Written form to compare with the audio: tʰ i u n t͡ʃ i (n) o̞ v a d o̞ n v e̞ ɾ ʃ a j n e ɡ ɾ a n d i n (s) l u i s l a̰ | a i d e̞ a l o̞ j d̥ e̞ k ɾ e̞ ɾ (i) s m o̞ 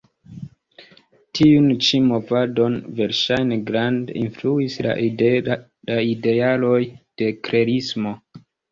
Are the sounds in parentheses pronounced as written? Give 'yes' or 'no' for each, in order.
no, no, yes

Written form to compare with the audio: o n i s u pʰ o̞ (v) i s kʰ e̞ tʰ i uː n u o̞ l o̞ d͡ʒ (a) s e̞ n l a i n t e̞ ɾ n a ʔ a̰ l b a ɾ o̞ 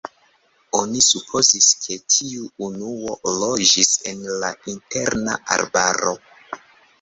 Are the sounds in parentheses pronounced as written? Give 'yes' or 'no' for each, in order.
no, no

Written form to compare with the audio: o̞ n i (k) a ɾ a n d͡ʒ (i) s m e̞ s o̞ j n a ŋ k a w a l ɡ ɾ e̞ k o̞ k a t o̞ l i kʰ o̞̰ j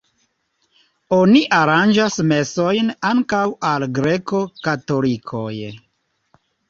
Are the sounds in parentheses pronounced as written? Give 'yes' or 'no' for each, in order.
no, no

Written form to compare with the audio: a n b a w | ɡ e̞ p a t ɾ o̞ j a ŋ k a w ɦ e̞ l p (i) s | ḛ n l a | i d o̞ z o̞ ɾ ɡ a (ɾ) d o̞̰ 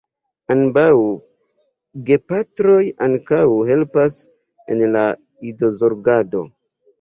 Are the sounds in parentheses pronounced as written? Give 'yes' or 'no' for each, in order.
no, no

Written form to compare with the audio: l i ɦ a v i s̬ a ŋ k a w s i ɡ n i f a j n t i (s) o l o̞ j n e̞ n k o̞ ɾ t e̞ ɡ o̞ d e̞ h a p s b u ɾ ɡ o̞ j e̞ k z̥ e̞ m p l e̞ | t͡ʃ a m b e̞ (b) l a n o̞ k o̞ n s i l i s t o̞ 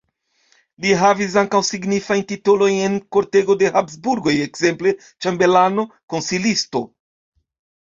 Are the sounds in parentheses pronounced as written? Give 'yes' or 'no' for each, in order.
no, no

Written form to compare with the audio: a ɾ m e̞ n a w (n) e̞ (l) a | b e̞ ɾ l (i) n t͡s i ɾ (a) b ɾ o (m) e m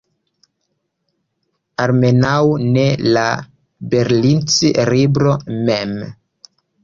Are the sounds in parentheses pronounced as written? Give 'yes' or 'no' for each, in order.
yes, yes, yes, no, yes

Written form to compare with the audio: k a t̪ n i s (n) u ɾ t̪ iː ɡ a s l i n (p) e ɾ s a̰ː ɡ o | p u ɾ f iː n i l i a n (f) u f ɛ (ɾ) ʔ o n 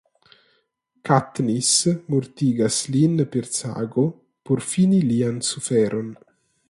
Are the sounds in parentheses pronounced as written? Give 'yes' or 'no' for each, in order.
no, yes, no, yes

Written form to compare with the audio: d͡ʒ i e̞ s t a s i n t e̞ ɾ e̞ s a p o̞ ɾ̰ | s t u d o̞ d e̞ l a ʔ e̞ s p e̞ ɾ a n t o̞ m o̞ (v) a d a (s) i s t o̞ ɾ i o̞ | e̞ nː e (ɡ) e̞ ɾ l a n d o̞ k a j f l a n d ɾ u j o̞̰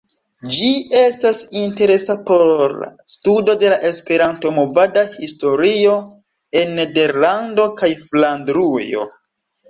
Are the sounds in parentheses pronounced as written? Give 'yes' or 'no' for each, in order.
yes, no, no

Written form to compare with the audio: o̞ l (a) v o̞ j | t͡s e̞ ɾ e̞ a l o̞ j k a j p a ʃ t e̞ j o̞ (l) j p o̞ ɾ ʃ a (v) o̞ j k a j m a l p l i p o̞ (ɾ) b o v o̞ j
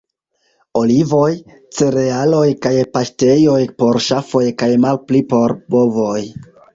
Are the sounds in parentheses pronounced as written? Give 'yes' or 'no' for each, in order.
no, no, no, yes

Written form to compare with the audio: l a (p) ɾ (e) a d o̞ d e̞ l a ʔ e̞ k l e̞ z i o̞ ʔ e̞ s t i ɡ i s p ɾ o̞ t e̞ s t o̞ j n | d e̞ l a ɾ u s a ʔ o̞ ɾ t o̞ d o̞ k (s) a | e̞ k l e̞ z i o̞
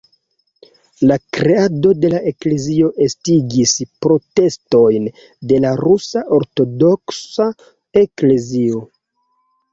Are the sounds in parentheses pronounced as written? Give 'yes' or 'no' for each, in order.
no, yes, yes

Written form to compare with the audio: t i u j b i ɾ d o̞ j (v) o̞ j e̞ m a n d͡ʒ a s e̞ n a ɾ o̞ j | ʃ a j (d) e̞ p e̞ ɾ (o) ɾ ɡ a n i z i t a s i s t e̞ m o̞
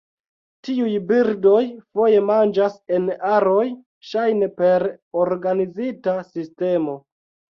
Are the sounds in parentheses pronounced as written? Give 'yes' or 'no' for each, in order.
no, no, yes

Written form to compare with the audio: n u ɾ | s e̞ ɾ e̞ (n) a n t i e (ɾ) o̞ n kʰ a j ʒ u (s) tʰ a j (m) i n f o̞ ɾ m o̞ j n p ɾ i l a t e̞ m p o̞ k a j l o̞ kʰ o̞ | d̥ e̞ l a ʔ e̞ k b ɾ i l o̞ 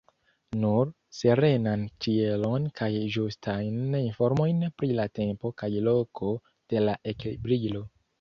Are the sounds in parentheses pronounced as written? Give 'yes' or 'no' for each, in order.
yes, no, yes, no

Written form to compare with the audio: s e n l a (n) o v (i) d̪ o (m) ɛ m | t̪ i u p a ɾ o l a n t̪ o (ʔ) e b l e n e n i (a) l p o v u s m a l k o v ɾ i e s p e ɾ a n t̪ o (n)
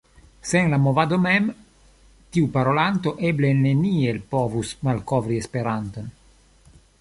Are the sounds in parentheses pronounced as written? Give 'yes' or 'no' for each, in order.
no, no, yes, yes, no, yes

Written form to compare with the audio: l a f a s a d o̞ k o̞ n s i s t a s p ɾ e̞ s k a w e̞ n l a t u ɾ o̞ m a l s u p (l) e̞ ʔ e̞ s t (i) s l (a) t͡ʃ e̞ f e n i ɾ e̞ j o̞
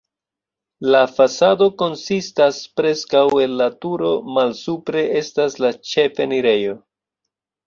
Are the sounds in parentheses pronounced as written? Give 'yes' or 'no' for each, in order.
no, no, yes

